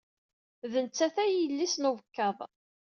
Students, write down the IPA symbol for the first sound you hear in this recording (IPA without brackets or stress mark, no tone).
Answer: ð